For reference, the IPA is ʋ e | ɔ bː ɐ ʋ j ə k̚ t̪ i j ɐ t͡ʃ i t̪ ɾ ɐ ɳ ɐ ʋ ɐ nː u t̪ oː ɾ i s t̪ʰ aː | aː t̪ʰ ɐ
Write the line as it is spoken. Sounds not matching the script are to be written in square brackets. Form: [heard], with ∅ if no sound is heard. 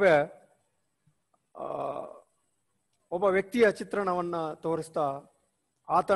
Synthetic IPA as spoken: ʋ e | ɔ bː ɐ ʋ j [ɐ] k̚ t̪ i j ɐ t͡ʃ i t̪ ɾ ɐ ɳ ɐ ʋ ɐ nː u t̪ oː ɾ i s [t̪] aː | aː [t̪] ɐ